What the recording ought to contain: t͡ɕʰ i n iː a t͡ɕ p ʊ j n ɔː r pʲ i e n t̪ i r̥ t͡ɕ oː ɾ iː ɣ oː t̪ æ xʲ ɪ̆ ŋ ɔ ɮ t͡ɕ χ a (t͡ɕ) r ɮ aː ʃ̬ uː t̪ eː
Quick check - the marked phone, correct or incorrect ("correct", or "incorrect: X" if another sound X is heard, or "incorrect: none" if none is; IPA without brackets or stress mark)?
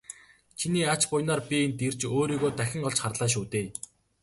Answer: incorrect: none